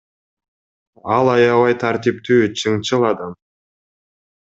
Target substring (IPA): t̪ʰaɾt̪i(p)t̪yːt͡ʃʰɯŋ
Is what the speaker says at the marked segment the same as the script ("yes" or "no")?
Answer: yes